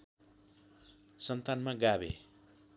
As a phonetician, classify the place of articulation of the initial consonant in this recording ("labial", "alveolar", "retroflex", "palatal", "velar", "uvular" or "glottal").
alveolar